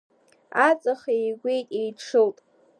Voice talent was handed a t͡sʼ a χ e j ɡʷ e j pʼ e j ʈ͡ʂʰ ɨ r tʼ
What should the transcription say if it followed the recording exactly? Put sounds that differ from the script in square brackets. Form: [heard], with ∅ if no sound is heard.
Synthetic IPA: a t͡sʼ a χ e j ɡʷ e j [tʼ] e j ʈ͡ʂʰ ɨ [l] tʼ